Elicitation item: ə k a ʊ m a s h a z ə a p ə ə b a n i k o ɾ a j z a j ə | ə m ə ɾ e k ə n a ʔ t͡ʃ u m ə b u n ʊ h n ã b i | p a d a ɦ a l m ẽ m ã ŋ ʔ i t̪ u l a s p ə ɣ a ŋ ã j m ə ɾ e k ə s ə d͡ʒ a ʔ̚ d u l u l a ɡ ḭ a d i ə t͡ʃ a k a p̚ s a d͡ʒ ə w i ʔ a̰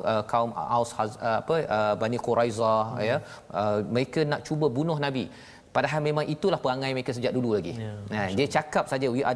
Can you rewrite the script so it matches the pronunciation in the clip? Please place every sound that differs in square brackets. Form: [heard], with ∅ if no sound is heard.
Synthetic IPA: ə k a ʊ m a s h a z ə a p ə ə b a n i k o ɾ a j z a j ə | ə m ə ɾ e k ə n a ʔ t͡ʃ u [b] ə b u n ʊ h n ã b i | p a d a ɦ a l m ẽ m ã ŋ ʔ i t̪ u l a [h] p ə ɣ a ŋ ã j m ə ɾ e k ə s ə d͡ʒ a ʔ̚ d u l u l a ɡ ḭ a d i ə t͡ʃ a k a p̚ s a d͡ʒ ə w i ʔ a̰